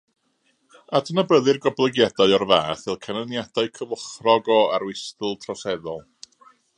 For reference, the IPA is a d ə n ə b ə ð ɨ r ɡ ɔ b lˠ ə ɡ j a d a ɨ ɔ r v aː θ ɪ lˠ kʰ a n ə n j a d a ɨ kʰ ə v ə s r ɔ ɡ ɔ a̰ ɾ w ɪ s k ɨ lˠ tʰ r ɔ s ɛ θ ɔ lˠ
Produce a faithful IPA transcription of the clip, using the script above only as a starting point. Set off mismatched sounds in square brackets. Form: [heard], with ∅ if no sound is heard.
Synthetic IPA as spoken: a d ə n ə b ə ð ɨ r ɡ ɔ b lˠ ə ɡ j a d a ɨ ɔ r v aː θ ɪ lˠ kʰ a n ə n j a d a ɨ kʰ ə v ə [χ] r ɔ ɡ ɔ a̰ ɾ w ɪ s [t] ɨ lˠ tʰ r ɔ s ɛ [ð] ɔ lˠ